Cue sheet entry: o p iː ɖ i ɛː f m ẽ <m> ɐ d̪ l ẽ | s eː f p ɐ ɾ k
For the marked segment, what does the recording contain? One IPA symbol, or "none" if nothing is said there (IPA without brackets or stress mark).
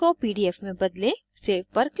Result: b